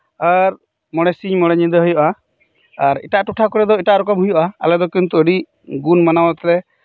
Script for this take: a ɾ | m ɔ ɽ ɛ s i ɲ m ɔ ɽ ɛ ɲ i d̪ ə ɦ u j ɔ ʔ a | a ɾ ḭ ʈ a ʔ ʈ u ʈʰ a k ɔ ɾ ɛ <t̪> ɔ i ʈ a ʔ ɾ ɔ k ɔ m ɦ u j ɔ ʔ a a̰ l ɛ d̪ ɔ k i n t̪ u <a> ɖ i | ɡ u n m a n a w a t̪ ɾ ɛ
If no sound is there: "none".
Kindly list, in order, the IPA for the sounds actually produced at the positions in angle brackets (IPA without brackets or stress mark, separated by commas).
d̪, ə